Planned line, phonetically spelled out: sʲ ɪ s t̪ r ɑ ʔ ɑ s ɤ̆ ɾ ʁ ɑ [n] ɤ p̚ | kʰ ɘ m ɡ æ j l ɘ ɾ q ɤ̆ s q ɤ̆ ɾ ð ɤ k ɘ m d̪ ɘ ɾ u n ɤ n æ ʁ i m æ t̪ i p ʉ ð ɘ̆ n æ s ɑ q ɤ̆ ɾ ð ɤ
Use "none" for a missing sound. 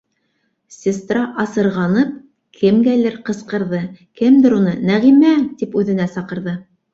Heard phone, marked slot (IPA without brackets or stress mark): n